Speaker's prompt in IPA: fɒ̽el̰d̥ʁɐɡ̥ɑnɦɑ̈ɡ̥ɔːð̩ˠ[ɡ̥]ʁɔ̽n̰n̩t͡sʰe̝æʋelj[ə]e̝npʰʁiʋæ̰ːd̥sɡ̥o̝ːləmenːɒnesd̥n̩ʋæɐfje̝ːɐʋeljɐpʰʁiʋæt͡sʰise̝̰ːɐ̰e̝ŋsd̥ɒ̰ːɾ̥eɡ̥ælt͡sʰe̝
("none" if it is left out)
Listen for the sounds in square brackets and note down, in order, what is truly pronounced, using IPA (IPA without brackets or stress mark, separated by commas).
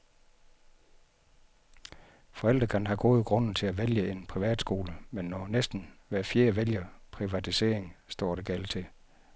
ɡ̥, ə